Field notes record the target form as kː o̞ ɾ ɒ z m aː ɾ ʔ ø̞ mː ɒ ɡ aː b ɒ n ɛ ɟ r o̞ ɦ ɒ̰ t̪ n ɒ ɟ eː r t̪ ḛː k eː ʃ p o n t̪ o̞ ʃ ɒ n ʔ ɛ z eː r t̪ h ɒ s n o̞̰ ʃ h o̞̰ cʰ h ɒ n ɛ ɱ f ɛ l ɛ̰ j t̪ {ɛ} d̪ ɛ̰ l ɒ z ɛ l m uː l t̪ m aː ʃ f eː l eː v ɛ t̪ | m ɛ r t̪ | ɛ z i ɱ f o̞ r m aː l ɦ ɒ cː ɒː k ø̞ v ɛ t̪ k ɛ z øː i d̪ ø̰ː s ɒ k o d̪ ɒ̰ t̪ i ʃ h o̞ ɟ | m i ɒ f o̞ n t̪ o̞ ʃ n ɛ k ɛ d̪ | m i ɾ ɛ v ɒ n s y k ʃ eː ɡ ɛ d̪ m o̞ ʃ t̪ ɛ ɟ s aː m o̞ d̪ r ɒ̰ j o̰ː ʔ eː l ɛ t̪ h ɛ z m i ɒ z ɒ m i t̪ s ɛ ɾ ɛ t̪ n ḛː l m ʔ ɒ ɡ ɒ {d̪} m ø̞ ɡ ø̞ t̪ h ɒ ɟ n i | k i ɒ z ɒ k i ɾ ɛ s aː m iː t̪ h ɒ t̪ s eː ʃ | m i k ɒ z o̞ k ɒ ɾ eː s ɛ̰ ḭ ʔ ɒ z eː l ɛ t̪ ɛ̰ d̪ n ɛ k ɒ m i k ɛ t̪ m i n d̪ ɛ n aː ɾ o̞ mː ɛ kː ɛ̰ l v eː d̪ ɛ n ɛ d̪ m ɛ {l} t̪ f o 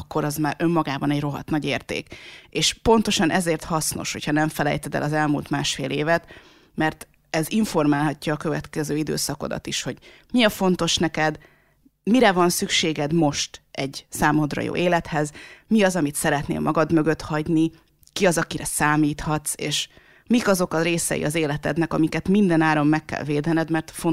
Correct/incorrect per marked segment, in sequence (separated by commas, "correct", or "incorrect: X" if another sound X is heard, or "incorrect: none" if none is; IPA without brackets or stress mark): correct, correct, incorrect: r